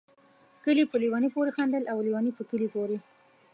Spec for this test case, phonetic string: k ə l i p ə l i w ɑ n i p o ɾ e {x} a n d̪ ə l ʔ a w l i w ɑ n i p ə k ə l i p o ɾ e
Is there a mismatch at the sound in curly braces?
no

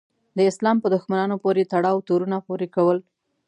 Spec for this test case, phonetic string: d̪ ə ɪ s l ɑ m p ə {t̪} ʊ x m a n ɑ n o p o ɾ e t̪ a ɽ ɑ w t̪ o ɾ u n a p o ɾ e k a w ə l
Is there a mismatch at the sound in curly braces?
yes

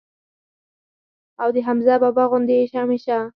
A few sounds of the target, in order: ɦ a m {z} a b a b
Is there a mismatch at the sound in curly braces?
no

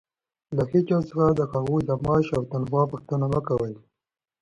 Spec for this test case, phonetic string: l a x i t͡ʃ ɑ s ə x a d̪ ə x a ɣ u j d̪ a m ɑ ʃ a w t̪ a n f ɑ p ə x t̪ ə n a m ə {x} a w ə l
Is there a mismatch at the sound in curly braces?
yes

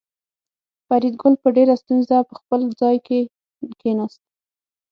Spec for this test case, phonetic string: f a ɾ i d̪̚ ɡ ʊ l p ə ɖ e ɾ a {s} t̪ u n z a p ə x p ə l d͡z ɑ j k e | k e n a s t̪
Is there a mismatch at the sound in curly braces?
no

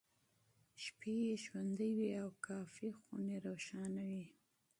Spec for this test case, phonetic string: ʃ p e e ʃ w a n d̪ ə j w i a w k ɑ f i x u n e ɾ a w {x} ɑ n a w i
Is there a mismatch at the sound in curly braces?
yes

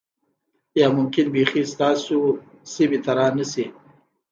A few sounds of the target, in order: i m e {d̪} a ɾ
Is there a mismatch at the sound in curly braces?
yes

